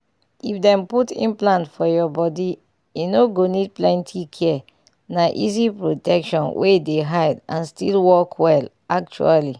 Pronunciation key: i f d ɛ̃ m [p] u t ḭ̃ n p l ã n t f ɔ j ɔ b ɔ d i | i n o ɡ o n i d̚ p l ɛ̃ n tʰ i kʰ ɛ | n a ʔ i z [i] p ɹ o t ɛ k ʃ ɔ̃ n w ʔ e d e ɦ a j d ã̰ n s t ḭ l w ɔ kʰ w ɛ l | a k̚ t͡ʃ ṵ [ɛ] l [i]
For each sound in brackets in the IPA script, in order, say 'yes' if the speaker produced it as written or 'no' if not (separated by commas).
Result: yes, yes, no, yes